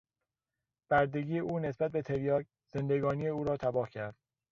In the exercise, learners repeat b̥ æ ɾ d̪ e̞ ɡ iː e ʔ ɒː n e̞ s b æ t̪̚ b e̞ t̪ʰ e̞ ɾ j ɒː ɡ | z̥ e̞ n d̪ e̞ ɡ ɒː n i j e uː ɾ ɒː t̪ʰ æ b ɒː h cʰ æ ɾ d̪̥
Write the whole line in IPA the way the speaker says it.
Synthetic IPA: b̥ æ ɾ d̪ e̞ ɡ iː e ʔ uː n e̞ s b æ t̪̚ b e̞ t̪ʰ e̞ ɾ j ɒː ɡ | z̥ e̞ n d̪ e̞ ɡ ɒː n i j e uː ɾ ɒː t̪ʰ æ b ɒː h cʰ æ ɾ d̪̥